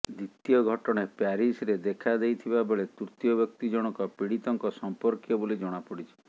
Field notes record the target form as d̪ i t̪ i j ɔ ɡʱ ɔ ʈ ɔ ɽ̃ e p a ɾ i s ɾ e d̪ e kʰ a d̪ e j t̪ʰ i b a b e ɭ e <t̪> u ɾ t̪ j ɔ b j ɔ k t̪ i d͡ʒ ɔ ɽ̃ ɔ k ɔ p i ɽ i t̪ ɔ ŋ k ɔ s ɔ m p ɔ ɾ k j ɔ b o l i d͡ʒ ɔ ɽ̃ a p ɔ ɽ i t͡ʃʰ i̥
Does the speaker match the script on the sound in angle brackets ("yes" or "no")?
yes